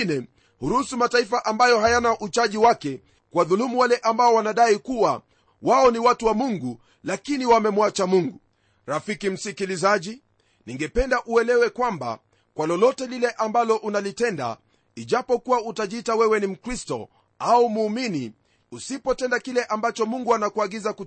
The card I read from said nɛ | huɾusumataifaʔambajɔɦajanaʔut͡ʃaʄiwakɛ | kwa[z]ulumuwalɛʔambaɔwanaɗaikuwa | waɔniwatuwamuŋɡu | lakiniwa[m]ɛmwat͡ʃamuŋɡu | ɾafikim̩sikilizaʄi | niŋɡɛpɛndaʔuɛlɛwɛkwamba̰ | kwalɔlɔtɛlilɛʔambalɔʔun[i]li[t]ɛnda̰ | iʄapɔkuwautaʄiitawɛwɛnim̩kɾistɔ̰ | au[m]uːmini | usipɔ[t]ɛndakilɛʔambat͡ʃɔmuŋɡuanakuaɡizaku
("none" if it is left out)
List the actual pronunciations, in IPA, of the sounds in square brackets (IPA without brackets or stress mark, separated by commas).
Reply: ð, m, a, t, m, t